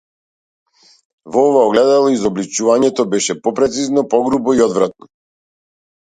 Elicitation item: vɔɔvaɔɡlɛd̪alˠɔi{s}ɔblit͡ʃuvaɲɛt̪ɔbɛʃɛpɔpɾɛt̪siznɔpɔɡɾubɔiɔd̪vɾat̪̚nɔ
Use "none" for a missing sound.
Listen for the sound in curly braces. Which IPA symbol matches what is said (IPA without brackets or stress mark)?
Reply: z